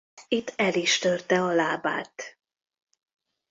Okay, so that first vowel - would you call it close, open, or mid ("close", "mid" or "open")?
close